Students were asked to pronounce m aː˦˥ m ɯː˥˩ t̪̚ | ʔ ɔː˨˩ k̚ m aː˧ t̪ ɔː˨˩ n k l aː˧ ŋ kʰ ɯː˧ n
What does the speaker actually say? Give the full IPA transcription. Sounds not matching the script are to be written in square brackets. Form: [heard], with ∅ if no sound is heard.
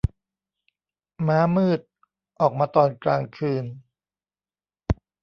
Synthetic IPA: m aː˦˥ m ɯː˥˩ t̪̚ | ʔ ɔː˨˩ k̚ m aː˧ t̪ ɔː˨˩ n k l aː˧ ŋ kʰ ɯː˧ n

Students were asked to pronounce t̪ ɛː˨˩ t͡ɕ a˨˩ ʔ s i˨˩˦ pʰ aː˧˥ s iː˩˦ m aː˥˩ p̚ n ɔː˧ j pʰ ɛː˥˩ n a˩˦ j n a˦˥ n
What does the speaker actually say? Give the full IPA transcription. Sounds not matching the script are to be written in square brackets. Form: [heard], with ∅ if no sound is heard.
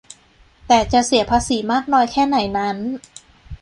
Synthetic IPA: t̪ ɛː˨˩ t͡ɕ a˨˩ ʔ s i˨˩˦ pʰ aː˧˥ s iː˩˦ m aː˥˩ [k̚] n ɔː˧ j [kʰ] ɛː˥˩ n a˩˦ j n a˦˥ n

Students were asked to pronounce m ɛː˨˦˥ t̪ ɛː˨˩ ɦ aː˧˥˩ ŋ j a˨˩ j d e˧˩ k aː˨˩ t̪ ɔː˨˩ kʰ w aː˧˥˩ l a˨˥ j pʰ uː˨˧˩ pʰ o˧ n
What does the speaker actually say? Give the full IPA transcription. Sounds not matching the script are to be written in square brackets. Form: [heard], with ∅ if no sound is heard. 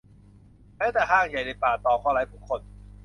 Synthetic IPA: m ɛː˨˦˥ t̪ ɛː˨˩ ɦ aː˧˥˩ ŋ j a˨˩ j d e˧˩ [p] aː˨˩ t̪ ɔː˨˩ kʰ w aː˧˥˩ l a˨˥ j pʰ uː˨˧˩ [kʰ] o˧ n

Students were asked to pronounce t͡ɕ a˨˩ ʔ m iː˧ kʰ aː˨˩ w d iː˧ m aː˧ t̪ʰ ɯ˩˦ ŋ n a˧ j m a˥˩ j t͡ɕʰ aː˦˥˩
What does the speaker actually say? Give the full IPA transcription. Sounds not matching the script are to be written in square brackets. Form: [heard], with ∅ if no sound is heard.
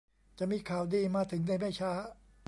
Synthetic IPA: t͡ɕ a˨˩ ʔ m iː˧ kʰ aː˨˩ w d iː˧ m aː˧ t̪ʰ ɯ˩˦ ŋ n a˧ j m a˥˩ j t͡ɕʰ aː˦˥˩

